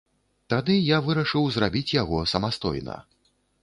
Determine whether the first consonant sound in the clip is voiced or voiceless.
voiceless